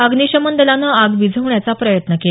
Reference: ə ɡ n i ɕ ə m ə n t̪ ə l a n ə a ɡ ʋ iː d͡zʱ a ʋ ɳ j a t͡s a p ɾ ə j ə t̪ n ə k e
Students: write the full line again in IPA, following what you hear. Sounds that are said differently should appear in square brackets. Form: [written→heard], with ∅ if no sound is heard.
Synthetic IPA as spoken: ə ɡ n i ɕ ə m ə n [t̪→d̪] ə l a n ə a ɡ ʋ [iː→i] d͡zʱ [a→ə] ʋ ɳ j a t͡s a p ɾ ə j ə t̪ n ə k e

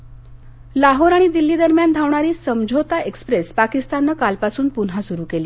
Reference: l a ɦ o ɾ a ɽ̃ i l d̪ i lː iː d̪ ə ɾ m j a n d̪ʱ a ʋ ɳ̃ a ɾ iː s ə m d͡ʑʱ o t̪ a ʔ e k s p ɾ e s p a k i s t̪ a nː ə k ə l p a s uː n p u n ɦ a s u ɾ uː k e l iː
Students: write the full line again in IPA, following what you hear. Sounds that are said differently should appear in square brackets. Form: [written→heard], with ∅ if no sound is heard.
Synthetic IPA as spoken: l a ɦ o ɾ a ɽ̃ i [l→∅] d̪ i lː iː d̪ ə ɾ m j a n d̪ʱ a ʋ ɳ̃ a ɾ iː s ə m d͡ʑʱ o t̪ a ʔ e k s p ɾ e s p a k i s t̪ a nː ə k [ə→a] l p a s uː n p u n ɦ a s u ɾ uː k e l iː

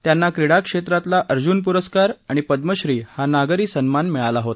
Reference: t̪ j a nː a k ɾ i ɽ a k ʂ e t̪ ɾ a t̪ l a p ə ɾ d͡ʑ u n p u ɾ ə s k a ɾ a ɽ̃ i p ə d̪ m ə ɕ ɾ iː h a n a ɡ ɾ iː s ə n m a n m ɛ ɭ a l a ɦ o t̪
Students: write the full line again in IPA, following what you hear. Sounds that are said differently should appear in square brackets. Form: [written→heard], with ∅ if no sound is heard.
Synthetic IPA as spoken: t̪ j a nː a k ɾ i ɽ a k ʂ e t̪ ɾ a t̪ l a [p→ʔ] ə ɾ d͡ʑ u n p u ɾ ə s k a ɾ a ɽ̃ i p ə d̪ m ə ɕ ɾ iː h a n a ɡ ɾ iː s ə n m a n m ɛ ɭ a l a ɦ o t̪

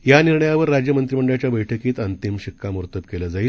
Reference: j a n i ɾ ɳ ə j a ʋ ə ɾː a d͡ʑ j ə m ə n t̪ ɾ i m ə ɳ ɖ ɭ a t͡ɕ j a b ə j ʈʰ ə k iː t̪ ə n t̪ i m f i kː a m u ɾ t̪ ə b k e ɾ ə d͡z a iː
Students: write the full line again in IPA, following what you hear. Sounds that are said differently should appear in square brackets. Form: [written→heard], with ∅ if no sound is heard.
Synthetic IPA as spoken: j a n i ɾ ɳ ə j a ʋ ə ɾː a d͡ʑ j ə m ə n t̪ ɾ i m ə ɳ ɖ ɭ a t͡ɕ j a b ə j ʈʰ ə k iː t̪ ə n t̪ i m [f→ɕ] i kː a m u ɾ t̪ ə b k e [ɾ→l] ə d͡z a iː

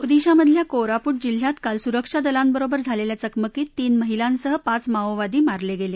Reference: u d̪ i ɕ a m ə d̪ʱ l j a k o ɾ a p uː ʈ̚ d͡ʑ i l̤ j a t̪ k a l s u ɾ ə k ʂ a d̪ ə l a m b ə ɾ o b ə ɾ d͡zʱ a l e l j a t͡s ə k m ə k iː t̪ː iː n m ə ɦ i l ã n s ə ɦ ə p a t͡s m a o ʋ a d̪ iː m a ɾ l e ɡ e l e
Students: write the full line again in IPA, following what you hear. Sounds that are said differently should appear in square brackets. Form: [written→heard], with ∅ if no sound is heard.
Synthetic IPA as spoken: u d̪ i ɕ a m ə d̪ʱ l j a k o ɾ a p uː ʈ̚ d͡ʑ i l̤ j a t̪ k a l s u ɾ ə k ʂ a d̪ ə l a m b ə ɾ o b ə ɾ d͡zʱ a l e l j a t͡s ə k m ə k iː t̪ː iː n m ə ɦ i l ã n s ə ɦ ə p a t͡s m a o ʋ a d̪ iː m a ɾ l e ɡ e l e

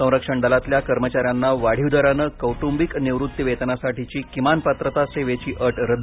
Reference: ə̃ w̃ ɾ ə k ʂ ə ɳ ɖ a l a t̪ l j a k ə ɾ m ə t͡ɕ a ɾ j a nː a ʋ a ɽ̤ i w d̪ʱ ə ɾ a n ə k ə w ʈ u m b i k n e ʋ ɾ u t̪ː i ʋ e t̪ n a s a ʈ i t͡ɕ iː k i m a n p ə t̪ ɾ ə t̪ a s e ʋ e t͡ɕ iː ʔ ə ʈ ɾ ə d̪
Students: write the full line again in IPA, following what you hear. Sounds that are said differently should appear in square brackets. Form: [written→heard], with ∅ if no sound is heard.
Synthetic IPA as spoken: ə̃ w̃ ɾ ə k ʂ ə ɳ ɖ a l a t̪ l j a k ə ɾ m ə t͡ɕ a ɾ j a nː a ʋ a ɽ̤ i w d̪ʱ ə ɾ a n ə k ə w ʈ u m b i k n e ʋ ɾ u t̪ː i ʋ e t̪ n a s a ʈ i t͡ɕ iː k i m a n p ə t̪ ɾ ə t̪ a s e ʋ e t͡ɕ iː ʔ ə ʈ ɾ ə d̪

